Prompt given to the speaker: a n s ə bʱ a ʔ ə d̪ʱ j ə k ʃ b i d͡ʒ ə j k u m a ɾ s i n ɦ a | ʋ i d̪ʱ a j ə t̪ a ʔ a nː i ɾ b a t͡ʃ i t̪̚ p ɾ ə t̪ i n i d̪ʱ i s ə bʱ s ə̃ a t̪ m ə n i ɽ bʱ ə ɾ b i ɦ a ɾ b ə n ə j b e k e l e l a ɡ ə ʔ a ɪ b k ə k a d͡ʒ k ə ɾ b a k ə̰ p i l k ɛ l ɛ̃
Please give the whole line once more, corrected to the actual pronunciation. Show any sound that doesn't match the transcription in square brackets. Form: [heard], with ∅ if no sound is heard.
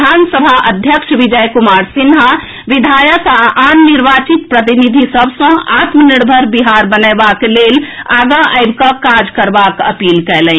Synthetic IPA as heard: a n s ə bʱ a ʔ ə d̪ʱ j ə k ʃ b i d͡ʒ ə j k u m a ɾ s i n ɦ a | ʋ i d̪ʱ a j ə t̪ a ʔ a nː i ɾ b a t͡ʃ i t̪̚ p ɾ ə t̪ i n i d̪ʱ i s ə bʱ s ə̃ a t̪ m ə n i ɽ bʱ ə ɾ b i ɦ a ɾ b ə n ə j b [a] k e l e l a ɡ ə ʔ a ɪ b k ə k a d͡ʒ k ə ɾ b a k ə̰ p i l k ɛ l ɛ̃